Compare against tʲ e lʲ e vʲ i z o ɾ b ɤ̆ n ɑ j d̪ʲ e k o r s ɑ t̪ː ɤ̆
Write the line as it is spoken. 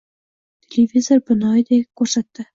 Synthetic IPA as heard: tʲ e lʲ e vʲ i z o r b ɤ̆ n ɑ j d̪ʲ e k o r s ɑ t̪ː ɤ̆